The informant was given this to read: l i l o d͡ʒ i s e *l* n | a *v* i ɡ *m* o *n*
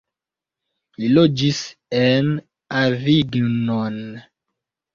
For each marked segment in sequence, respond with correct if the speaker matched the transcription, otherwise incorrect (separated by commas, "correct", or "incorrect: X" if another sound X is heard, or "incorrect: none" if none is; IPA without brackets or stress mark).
incorrect: none, correct, incorrect: n, correct